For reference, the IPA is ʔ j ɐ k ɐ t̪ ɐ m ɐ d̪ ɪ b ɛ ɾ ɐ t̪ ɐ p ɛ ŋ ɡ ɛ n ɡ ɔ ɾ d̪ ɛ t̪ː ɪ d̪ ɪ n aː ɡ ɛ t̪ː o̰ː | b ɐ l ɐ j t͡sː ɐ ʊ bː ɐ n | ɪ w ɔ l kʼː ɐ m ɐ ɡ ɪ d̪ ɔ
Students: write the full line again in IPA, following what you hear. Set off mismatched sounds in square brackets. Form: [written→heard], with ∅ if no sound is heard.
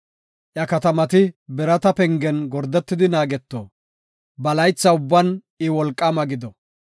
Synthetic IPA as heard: ʔ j ɐ k ɐ t̪ ɐ m ɐ [d̪→t̪] ɪ b ɛ ɾ ɐ t̪ ɐ p ɛ ŋ ɡ ɛ n ɡ ɔ ɾ d̪ ɛ t̪ː ɪ d̪ ɪ n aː ɡ ɛ t̪ː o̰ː | b ɐ l ɐ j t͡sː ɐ ʊ bː ɐ n | ɪ w ɔ l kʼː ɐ m ɐ ɡ ɪ d̪ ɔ